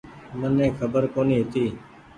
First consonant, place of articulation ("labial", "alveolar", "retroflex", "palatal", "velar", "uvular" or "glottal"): labial